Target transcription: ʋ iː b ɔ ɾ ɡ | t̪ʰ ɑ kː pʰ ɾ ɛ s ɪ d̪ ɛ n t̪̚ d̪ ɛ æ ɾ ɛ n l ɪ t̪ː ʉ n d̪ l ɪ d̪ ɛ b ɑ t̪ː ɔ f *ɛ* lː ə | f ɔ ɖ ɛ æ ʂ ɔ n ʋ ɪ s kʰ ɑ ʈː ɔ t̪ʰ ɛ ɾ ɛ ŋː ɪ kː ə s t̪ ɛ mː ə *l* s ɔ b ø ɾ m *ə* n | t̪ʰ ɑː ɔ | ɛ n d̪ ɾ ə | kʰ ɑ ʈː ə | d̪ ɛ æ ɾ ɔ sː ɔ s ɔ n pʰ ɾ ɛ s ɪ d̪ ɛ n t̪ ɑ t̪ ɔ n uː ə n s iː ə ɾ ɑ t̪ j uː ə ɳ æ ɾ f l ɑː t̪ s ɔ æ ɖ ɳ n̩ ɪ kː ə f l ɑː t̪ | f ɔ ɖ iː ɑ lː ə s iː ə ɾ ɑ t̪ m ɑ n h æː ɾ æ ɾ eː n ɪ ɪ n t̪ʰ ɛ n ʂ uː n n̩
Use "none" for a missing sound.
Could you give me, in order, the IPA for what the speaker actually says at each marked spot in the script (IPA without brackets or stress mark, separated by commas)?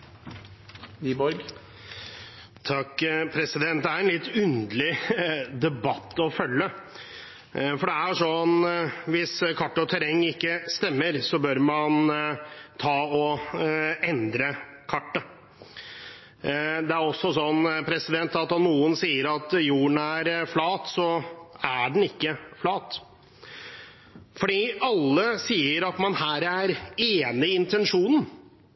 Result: œ, ɾ, ɑ